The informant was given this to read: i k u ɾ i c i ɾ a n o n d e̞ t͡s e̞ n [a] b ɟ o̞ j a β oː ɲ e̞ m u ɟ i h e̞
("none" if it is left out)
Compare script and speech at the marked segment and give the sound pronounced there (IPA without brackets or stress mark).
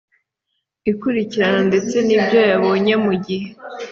i